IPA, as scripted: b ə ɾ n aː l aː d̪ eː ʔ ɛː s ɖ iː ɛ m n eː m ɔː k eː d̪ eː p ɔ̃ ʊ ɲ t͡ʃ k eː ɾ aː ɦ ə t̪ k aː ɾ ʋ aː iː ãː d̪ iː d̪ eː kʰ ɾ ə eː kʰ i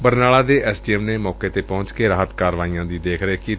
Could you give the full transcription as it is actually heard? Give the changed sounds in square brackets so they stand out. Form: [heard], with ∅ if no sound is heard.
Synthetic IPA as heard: b ə ɾ n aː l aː d̪ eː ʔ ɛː s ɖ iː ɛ m n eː m ɔː k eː [t̪] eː p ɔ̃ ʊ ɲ t͡ʃ k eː ɾ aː ɦ ə t̪ k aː ɾ ʋ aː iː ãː d̪ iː d̪ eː kʰ ɾ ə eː [k] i